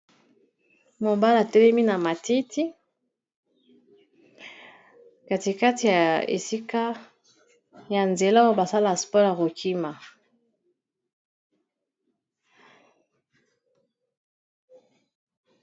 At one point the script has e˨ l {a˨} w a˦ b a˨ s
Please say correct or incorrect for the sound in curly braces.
incorrect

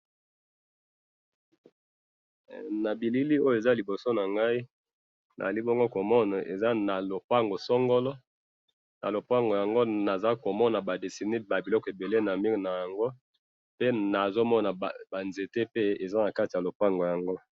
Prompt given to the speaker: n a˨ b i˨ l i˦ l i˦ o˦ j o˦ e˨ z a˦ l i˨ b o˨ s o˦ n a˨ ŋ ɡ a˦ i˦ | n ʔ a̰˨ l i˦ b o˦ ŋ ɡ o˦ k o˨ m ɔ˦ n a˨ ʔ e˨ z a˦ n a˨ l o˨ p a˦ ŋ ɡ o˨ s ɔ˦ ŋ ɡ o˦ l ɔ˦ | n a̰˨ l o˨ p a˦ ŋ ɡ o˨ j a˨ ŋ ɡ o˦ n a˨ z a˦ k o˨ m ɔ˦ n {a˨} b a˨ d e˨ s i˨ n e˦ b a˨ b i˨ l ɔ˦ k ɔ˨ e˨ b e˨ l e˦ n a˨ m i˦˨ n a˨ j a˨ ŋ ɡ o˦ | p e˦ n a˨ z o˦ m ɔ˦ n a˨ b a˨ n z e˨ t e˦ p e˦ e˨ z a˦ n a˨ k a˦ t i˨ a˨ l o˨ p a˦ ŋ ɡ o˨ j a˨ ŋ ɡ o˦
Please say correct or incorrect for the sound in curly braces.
correct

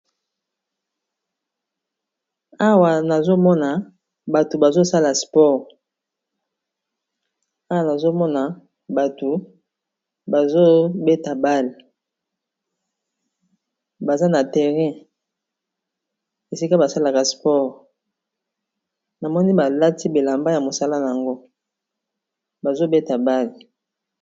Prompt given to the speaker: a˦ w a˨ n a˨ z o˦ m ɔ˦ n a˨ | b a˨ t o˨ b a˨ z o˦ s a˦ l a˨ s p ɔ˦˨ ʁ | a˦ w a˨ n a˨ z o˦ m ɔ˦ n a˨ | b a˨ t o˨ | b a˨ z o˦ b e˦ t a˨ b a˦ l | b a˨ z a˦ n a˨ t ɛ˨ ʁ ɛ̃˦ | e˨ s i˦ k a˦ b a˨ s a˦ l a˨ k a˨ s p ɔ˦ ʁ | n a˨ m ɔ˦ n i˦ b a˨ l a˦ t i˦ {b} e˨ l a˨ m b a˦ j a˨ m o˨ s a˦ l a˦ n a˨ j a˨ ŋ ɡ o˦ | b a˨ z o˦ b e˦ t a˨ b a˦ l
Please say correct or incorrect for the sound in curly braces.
correct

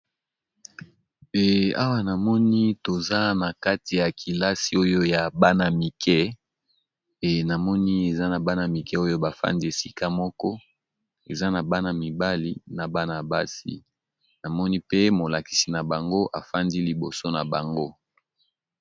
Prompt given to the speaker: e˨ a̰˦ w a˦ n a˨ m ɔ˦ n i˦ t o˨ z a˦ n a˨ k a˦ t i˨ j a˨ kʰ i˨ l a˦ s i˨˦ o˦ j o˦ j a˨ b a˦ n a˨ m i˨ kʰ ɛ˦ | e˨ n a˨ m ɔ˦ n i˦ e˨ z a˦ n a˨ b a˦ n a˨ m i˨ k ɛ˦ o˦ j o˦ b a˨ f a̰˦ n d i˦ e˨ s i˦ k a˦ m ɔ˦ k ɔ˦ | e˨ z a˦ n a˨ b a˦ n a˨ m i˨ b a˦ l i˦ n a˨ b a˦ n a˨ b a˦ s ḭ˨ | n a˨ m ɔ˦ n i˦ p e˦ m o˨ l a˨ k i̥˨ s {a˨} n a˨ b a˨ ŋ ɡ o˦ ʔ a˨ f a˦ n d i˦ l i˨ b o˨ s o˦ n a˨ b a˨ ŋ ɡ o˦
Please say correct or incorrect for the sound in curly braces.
incorrect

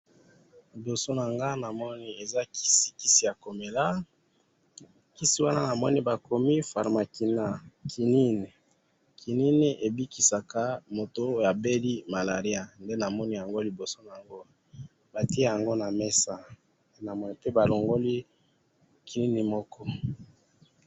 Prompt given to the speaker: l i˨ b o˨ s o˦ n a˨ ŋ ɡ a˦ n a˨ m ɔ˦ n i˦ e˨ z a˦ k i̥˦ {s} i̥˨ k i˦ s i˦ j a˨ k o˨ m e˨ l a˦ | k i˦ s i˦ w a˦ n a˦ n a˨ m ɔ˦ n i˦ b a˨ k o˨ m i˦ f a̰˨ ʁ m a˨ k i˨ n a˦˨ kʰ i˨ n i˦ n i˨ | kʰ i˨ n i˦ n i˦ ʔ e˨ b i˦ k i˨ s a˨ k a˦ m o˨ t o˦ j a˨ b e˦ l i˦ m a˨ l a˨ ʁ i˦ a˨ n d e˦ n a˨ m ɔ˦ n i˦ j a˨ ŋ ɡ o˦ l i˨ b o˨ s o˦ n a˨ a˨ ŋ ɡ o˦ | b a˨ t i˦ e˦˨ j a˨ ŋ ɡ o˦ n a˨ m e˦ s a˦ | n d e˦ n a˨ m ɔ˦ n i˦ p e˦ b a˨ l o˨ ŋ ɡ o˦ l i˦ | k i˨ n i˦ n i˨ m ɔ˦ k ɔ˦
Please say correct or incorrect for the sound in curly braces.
correct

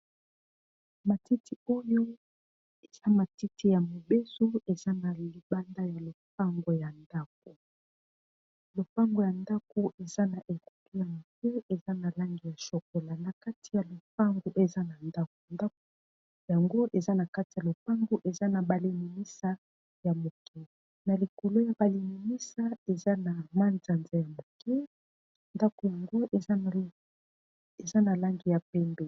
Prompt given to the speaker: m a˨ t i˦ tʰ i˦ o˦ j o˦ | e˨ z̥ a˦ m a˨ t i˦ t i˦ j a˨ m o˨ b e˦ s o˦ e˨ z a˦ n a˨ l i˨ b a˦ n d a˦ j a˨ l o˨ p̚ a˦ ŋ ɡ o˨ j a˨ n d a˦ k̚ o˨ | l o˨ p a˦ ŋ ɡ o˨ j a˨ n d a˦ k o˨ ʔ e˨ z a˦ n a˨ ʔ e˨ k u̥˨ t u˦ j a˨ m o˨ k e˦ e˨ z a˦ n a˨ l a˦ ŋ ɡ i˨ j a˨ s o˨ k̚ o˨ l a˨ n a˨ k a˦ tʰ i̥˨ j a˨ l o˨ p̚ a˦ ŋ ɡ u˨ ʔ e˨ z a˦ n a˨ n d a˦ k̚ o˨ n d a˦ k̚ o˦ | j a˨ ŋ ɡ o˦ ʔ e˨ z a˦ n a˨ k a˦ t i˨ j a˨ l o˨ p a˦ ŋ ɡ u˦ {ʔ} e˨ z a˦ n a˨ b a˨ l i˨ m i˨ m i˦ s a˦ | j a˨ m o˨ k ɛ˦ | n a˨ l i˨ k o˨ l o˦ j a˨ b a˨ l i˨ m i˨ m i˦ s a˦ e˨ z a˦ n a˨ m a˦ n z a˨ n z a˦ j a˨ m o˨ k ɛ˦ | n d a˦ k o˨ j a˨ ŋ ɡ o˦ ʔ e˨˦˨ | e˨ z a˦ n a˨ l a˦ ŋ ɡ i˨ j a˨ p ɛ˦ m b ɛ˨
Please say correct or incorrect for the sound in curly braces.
correct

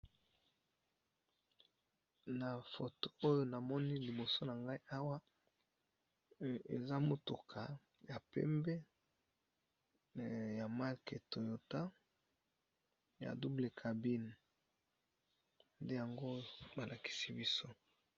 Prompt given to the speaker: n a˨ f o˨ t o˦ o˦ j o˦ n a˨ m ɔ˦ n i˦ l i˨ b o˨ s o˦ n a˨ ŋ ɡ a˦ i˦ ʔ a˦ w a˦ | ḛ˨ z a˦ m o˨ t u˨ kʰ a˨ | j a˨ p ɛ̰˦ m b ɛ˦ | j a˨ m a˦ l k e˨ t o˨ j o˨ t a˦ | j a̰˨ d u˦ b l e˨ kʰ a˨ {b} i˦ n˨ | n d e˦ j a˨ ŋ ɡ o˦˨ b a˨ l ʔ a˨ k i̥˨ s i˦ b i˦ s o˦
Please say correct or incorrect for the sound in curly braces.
correct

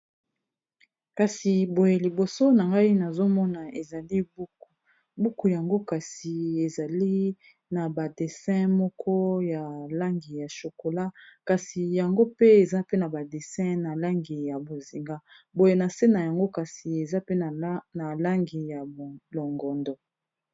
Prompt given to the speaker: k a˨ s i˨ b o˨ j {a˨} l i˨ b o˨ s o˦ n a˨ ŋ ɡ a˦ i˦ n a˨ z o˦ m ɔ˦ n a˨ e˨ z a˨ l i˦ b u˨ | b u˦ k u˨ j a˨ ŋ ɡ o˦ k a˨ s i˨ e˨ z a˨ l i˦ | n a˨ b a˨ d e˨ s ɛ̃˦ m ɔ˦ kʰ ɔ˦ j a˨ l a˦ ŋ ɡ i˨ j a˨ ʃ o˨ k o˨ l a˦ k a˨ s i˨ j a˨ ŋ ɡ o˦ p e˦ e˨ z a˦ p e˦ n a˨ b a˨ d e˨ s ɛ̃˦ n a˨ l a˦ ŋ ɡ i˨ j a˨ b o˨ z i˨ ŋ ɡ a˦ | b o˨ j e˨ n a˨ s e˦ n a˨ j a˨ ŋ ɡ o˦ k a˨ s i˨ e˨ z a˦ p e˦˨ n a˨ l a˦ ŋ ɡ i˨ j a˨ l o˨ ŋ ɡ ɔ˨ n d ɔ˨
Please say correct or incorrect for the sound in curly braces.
incorrect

